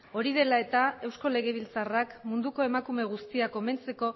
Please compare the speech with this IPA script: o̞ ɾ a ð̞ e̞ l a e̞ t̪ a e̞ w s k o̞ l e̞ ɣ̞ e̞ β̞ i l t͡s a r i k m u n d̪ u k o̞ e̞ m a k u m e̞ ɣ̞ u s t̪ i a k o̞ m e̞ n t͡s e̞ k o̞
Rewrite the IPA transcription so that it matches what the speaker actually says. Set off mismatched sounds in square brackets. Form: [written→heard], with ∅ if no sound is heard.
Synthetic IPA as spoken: o̞ ɾ [a→i] ð̞ e̞ l a e̞ t̪ a e̞ w s k o̞ l e̞ ɣ̞ e̞ β̞ i l t͡s a r [i→a] k m u n d̪ u k o̞ e̞ m a k u m e̞ ɣ̞ u s t̪ i a k o̞ m e̞ n t͡s e̞ k o̞